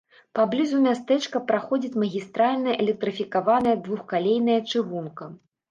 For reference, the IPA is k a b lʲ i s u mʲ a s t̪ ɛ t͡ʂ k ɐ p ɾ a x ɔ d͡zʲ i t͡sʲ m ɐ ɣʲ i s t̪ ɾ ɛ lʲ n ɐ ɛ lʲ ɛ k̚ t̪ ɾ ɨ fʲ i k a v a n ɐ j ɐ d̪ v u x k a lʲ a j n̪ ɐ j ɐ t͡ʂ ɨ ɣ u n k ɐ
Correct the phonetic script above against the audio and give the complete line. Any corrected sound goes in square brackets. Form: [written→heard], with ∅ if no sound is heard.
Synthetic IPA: [k→p] a b lʲ i [s→z] u mʲ a s t̪ ɛ t͡ʂ k ɐ p ɾ a x ɔ d͡zʲ i t͡sʲ m ɐ ɣʲ i s t̪ ɾ [ɛ→a] lʲ n ɐ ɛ lʲ ɛ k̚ t̪ ɾ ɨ fʲ i k a v a n ɐ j ɐ d̪ v u x k a lʲ [a→e] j n̪ ɐ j ɐ t͡ʂ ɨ ɣ u n k ɐ